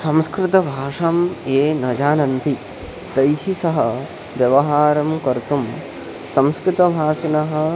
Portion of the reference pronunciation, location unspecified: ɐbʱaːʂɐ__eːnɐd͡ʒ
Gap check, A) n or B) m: B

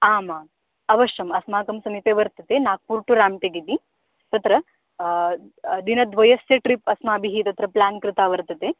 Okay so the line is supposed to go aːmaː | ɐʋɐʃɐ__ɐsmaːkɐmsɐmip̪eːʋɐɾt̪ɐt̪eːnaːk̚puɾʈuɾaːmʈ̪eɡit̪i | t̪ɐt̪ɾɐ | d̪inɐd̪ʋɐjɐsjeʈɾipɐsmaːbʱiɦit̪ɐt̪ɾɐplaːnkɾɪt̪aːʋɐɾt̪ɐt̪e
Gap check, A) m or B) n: A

